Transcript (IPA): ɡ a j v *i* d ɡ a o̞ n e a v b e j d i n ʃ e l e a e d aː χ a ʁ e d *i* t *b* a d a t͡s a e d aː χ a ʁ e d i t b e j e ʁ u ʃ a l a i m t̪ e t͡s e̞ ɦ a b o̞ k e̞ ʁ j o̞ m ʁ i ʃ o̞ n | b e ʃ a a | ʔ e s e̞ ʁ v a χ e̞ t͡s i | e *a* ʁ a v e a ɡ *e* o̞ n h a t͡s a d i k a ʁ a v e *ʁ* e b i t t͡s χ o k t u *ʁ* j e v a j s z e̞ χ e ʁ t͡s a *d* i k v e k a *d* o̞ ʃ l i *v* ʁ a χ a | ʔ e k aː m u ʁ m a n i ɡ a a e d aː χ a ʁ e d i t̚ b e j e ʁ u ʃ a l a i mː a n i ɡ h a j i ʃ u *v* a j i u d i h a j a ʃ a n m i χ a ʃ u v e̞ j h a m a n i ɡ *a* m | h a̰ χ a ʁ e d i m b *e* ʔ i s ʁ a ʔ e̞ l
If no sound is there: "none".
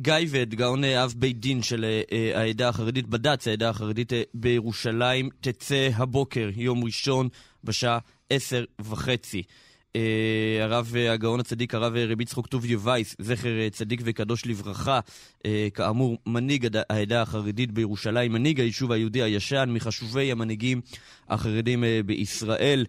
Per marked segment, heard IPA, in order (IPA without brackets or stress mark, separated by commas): e, i, b, a, a, ʁ, v, d, d, v, v, i, e